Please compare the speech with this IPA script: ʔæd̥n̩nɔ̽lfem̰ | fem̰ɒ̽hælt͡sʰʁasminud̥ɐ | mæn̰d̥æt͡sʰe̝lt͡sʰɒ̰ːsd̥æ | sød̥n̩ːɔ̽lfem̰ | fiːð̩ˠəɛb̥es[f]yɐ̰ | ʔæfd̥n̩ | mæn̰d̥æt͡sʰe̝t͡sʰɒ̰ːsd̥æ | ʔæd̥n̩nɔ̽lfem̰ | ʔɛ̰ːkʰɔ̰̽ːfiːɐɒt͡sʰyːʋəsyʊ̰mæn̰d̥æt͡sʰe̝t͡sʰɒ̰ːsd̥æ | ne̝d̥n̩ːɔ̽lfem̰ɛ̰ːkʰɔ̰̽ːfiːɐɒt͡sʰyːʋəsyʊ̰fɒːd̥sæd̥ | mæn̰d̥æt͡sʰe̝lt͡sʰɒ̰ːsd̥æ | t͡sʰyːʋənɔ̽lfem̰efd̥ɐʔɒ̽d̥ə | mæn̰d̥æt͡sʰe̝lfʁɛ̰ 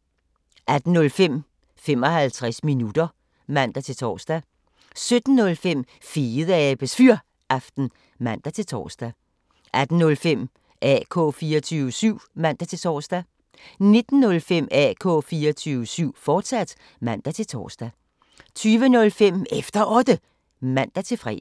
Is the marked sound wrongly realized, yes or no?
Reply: no